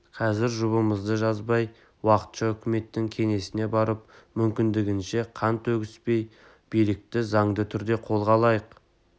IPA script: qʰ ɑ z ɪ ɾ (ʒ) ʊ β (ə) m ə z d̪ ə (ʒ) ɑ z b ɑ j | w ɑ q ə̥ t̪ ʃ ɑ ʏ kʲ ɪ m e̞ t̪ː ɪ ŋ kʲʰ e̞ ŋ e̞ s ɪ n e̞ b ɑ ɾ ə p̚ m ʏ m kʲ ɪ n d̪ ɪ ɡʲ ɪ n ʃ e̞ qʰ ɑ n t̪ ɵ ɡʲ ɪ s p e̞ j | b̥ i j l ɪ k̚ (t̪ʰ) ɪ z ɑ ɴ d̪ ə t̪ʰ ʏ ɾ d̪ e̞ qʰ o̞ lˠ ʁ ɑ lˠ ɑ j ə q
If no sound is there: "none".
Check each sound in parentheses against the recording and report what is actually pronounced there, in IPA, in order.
ʒ, ə, ʒ, t̪

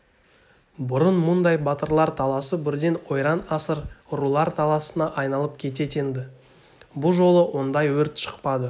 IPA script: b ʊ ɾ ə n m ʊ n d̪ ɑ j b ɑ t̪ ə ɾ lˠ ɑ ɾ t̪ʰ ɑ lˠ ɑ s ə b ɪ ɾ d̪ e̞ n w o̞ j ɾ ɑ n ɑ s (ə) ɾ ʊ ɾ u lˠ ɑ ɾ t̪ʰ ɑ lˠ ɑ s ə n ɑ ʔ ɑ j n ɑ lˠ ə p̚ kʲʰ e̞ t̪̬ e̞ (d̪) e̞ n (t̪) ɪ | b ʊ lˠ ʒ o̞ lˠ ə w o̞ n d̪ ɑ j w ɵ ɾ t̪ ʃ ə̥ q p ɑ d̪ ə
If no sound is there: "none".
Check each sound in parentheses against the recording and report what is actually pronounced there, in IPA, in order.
ə, t̪, d̪

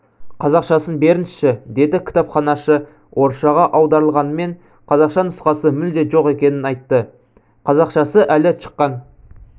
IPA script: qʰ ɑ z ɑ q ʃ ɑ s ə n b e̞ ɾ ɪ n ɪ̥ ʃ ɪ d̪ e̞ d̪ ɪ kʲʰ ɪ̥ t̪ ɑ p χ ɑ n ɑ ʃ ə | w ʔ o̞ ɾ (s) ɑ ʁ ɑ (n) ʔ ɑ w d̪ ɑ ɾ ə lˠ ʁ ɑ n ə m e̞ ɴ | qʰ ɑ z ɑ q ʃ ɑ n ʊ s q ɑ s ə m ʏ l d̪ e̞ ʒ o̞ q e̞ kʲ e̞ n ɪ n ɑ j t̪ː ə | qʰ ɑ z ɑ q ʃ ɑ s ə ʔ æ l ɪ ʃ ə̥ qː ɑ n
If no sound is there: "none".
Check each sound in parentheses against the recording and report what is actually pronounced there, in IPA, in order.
ʃ, none

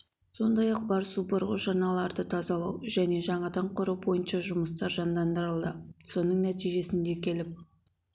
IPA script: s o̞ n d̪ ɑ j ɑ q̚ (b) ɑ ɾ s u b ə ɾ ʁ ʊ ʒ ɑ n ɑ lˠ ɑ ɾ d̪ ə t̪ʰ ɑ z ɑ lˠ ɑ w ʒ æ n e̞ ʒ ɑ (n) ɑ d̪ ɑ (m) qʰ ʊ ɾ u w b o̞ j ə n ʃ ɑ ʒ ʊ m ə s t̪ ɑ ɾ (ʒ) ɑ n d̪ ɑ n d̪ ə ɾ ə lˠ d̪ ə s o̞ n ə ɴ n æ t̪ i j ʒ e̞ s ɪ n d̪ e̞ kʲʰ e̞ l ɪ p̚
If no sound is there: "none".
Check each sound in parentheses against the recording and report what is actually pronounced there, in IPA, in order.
b, ɴ, ɴ, ʒ

